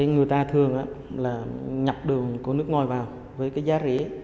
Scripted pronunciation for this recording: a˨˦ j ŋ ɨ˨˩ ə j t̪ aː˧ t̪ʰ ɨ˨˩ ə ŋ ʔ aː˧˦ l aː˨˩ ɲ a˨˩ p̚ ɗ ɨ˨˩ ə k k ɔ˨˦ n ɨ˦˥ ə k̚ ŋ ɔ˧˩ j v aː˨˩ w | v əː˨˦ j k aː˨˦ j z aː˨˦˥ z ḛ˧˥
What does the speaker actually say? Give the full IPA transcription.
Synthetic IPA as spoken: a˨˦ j ŋ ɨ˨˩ ə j t̪ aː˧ t̪ʰ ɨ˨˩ ə ŋ ʔ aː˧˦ l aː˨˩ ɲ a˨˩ p̚ ɗ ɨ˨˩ ə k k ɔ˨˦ n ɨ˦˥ ə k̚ ŋ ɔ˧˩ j v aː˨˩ w | v əː˨˦ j k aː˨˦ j z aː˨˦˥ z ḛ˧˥